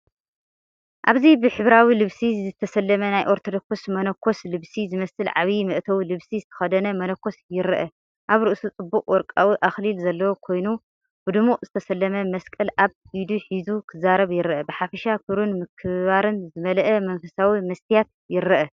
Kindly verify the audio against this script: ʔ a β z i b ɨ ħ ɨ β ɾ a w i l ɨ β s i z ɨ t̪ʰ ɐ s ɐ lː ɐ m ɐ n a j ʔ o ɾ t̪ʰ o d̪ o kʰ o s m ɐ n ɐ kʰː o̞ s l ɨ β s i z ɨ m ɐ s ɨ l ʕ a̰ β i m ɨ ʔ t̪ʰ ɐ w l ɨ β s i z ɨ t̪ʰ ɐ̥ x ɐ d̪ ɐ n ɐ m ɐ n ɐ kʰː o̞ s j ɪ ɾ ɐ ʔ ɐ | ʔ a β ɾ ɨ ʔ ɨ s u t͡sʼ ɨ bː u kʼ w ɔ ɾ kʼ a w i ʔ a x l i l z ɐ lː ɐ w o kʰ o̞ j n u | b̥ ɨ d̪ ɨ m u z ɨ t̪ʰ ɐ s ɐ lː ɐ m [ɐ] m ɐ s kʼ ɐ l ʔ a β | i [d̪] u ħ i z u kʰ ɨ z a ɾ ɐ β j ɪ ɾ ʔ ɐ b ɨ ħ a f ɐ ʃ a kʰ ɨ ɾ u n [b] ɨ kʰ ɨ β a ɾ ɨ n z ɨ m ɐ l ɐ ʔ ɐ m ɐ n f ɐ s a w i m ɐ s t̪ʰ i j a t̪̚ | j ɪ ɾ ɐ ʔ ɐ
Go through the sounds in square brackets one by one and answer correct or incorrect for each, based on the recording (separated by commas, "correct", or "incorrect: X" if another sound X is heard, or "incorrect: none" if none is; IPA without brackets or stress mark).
correct, correct, incorrect: m